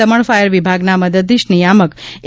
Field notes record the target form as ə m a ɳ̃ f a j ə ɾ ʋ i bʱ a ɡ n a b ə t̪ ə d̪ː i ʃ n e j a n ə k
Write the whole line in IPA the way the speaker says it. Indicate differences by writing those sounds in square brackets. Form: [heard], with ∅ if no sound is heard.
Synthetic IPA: ə m [ə] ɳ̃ f a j ə ɾ ʋ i bʱ a ɡ n a [m] ə [d̪] ə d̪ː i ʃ n [i] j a [m] ə k

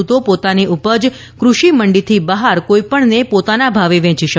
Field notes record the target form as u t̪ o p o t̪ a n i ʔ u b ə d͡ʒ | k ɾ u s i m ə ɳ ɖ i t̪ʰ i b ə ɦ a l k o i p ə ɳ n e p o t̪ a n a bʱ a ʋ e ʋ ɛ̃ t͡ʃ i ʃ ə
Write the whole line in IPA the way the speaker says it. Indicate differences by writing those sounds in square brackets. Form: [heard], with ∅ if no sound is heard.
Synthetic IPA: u t̪ o p o t̪ a n i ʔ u [p] ə d͡ʒ | k ɾ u [ʃ] i m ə ɳ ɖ i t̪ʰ i b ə ɦ a [ɾ] k o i p ə ɳ n e p o t̪ a n a bʱ a ʋ e ʋ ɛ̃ t͡ʃ i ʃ ə

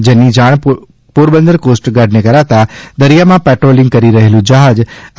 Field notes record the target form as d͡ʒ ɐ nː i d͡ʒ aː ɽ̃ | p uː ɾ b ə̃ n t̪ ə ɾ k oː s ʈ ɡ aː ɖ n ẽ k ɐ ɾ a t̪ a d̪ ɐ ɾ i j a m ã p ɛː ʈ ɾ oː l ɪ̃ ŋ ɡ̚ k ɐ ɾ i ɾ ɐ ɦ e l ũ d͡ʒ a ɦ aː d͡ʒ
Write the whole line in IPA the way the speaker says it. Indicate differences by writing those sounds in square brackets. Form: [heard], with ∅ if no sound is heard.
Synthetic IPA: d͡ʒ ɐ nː i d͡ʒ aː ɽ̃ | p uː ɾ b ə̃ n [d̪] ə ɾ k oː s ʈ ɡ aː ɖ n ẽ k ɐ ɾ a t̪ a d̪ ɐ ɾ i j a m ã p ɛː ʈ ɾ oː l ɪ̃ ŋ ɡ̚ k ɐ ɾ i ɾ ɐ ɦ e l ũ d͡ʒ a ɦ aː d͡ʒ

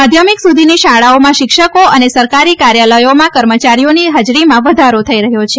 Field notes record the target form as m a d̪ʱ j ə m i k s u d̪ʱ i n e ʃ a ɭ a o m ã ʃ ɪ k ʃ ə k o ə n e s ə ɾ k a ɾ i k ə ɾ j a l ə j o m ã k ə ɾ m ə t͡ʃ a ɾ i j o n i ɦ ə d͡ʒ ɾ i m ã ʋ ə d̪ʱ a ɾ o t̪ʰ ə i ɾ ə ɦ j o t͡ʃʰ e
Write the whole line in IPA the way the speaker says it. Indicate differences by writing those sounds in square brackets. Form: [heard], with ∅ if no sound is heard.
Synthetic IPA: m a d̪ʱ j ə m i k s u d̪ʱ i n [i] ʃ a ɭ a o m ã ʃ ɪ k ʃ ə k o ə n e s ə ɾ k a ɾ i k [a] ɾ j a l ə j o m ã k ə ɾ m ə t͡ʃ a ɾ i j o n i ɦ ə d͡ʒ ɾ i m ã ʋ ə d̪ʱ a ɾ o t̪ʰ ə i ɾ ə ɦ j o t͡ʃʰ e

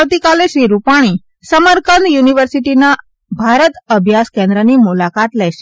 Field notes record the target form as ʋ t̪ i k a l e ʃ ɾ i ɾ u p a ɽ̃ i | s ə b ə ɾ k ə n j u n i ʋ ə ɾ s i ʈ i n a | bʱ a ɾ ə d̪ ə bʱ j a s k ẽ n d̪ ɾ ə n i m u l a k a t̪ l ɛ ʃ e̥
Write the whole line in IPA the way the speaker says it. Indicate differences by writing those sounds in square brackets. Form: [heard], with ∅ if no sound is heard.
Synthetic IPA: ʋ t̪ i k a l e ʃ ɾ i ɾ u p a ɽ̃ i | s ə [m] ə ɾ k ə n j u n i ʋ ə ɾ s i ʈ i n a | bʱ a ɾ ə [t̪] ə bʱ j a s k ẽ n d̪ ɾ ə n i m u l a k a t̪ l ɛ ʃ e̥

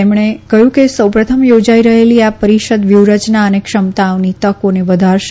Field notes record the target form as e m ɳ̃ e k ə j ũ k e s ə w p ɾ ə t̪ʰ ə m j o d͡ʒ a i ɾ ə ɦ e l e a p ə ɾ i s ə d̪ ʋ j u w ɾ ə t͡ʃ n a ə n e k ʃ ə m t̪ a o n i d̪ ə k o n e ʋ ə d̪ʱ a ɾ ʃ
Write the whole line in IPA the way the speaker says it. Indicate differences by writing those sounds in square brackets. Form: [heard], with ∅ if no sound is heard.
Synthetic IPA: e m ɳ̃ e k ə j ũ k e s ə w p ɾ ə t̪ʰ ə m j o d͡ʒ a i ɾ ə ɦ e l [i] a p ə ɾ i [ʃ] ə d̪ ʋ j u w ɾ ə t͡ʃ n a ə n e k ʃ ə m t̪ a o n i [t̪] ə k o n e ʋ ə d̪ʱ a ɾ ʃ

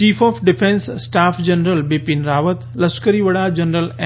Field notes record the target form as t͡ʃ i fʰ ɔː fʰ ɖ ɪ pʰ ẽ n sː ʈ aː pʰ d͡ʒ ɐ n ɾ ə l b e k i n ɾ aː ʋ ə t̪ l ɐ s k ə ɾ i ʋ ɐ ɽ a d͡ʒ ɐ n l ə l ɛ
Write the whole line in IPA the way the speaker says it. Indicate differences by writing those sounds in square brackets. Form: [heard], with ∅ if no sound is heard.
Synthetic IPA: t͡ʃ [iː] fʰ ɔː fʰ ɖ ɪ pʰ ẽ n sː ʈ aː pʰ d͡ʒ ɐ n ɾ ə l b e [p] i n ɾ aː ʋ ə t̪ l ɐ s k ə ɾ i ʋ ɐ ɽ a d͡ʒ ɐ n [ɾ] ə l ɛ

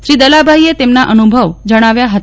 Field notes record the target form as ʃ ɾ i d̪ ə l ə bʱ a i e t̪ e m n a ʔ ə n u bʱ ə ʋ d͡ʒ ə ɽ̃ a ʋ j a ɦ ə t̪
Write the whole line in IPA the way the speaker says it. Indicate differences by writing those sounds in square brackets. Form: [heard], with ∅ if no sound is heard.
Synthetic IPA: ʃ ɾ i d̪ ə l [a] bʱ a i e t̪ e m n a ʔ ə n u bʱ ə ʋ d͡ʒ ə ɽ̃ a ʋ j a ɦ ə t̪

